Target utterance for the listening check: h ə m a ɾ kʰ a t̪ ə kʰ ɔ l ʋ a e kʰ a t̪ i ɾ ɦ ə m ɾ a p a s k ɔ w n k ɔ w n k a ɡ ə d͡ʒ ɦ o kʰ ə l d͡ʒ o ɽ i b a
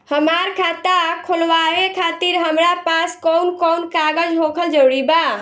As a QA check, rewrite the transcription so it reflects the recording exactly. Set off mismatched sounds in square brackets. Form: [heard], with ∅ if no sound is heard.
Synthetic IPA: h ə m a ɾ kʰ a t̪ [a] kʰ [o] l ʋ a e kʰ a t̪ i ɾ ɦ ə m ɾ a p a s k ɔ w n k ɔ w n k a ɡ ə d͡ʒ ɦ o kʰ ə l d͡ʒ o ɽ i b a